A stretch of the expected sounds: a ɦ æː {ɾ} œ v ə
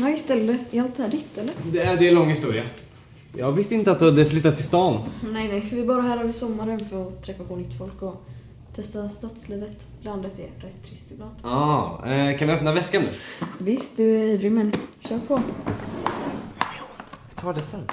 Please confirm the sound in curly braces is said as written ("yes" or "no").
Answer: yes